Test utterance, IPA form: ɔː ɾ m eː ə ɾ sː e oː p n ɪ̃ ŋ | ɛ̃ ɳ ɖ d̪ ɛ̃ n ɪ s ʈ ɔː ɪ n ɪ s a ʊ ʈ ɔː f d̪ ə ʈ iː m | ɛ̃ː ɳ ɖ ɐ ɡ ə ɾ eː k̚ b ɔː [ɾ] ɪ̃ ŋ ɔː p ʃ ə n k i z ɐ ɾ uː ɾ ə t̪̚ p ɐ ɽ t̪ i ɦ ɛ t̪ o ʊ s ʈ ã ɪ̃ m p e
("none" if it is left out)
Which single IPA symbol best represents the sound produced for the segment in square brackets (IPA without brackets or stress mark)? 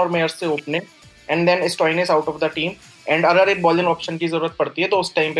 l